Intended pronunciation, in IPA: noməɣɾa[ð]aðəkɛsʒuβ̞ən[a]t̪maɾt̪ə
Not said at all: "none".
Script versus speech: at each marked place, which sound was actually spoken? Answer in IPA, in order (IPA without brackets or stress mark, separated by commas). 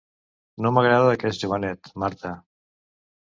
ð, ɛ